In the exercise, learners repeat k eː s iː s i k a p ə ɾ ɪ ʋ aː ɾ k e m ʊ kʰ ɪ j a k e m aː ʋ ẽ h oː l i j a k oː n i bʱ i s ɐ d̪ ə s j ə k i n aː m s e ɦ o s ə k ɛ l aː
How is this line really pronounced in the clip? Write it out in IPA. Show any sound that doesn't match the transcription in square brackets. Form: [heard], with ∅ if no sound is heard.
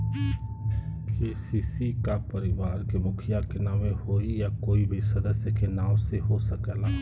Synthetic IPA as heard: k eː s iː s i k a p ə ɾ ɪ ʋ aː ɾ k e m ʊ kʰ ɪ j a k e [n] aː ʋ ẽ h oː [∅] i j a k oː [∅] i bʱ i s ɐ d̪ ə s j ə k [e] n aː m s e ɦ o s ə k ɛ l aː